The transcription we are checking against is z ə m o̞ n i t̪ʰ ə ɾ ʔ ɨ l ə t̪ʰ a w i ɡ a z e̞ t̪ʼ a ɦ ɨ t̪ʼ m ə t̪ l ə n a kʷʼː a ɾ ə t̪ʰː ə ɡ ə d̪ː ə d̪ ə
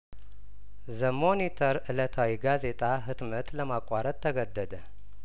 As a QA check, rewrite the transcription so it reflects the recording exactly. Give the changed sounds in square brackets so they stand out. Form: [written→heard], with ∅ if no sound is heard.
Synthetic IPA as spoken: z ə m o̞ n i t̪ʰ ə ɾ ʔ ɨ l ə t̪ʰ a w i ɡ a z e̞ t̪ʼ a ɦ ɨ [t̪ʼ→t̪] m ə t̪ l ə [n→m] a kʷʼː a ɾ ə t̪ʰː ə ɡ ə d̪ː ə d̪ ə